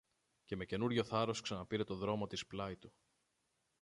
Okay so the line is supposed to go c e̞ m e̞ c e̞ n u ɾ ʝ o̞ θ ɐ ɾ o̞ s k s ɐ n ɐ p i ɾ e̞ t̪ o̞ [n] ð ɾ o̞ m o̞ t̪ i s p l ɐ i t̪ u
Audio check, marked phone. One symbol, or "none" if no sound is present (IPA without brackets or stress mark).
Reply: none